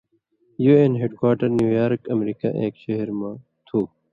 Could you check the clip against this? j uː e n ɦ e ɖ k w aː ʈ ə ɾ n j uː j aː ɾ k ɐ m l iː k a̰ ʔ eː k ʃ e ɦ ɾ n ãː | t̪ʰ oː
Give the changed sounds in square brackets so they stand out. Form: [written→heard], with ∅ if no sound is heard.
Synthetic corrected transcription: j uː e n ɦ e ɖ k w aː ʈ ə ɾ n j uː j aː ɾ k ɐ m [l→ɾ] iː k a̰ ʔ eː k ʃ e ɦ ɾ [n→m] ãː | t̪ʰ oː